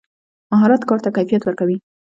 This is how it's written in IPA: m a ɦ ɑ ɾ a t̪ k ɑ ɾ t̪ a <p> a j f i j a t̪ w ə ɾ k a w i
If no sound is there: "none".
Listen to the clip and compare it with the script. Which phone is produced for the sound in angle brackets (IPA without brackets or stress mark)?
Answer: k